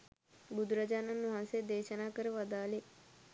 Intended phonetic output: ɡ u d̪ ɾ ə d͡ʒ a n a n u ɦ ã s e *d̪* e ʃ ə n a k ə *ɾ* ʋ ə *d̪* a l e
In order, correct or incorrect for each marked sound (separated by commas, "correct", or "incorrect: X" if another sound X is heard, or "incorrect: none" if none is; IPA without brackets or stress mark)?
correct, correct, correct